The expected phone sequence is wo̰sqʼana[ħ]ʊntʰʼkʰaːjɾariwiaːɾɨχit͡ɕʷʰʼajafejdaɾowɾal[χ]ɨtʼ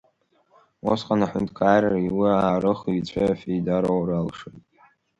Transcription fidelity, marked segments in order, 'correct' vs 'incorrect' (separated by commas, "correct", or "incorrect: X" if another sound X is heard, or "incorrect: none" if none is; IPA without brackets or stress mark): correct, incorrect: ʂ